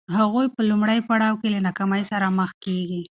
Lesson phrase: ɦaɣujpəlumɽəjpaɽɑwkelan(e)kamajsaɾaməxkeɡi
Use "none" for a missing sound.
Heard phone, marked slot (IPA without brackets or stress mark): a